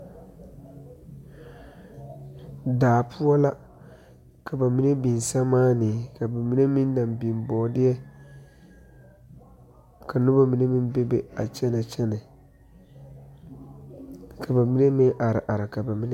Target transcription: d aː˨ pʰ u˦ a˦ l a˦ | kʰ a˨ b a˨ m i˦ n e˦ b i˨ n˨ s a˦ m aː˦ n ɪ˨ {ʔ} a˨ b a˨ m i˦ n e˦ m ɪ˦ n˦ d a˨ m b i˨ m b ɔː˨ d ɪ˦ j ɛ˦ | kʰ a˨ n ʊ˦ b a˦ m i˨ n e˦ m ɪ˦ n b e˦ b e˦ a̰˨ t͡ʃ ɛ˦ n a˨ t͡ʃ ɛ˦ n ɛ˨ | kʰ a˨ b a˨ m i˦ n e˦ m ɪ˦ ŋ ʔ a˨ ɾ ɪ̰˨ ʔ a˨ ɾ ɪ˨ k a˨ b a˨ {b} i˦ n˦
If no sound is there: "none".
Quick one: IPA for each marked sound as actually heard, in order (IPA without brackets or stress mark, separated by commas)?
k, m